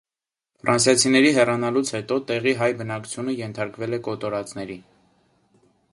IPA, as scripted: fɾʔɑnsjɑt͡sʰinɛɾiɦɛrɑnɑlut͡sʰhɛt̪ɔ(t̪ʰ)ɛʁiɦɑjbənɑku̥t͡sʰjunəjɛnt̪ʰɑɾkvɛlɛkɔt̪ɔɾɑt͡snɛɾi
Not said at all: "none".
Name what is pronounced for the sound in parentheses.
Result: t̪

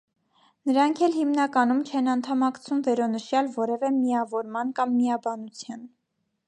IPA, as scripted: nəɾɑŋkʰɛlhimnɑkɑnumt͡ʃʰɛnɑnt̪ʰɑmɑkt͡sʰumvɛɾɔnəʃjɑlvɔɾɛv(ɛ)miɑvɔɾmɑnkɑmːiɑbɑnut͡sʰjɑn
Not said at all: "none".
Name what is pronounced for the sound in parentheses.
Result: ɛ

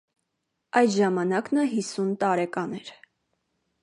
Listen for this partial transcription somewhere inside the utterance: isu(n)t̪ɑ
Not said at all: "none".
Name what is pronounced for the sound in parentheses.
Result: n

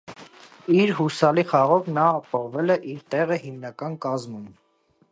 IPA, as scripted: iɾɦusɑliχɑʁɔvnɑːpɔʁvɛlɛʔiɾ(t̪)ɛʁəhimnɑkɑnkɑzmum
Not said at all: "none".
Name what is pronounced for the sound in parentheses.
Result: t̪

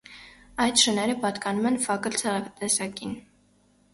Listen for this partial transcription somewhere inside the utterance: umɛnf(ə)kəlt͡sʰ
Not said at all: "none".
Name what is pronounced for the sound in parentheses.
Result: ɑ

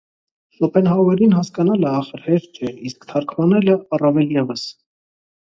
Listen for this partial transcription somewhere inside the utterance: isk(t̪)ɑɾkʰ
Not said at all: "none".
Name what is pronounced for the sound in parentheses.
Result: t̪ʰ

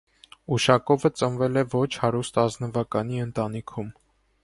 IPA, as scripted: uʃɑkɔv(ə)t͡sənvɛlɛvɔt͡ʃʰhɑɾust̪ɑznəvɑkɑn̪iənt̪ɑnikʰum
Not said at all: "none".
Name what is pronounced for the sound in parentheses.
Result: ə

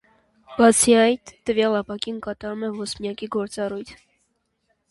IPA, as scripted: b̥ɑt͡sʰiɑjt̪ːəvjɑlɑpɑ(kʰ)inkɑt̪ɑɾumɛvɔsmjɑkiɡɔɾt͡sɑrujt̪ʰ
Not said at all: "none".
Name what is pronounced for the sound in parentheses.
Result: k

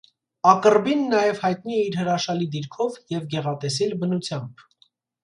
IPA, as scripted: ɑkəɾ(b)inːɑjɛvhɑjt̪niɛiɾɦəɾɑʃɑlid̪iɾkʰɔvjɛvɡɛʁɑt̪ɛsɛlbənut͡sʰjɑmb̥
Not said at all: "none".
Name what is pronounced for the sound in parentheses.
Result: b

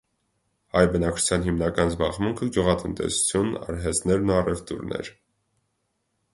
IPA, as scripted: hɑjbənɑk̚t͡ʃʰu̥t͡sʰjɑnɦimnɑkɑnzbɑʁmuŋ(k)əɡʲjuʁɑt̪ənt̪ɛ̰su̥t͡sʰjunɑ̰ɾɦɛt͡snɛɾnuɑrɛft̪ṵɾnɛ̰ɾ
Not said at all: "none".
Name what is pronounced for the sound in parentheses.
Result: kʰ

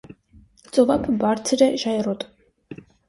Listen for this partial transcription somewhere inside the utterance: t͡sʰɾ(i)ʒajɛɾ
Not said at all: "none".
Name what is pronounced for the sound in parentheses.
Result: ɛ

